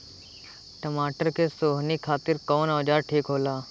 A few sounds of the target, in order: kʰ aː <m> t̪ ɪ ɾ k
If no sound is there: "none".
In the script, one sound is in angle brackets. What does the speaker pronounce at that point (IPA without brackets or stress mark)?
none